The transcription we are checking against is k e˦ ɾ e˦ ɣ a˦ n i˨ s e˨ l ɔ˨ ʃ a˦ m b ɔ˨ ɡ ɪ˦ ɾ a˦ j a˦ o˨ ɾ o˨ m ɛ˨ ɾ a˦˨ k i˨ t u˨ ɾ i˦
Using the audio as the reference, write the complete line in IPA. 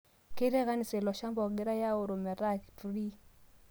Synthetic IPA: k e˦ ɾ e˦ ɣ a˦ n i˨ s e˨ l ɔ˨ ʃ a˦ m b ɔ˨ ɡ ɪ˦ ɾ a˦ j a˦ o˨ ɾ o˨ m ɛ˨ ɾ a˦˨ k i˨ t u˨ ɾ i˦